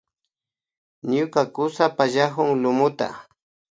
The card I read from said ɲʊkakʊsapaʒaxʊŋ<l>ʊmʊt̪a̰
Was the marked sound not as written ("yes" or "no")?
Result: no